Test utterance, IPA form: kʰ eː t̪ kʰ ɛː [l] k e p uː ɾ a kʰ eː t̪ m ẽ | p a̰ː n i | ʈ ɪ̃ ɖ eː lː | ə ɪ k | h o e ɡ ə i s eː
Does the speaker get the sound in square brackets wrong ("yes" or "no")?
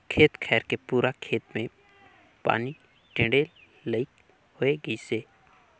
yes